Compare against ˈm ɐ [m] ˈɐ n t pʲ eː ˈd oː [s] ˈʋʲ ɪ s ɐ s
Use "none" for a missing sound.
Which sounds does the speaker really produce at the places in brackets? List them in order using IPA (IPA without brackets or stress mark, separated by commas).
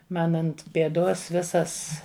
n, s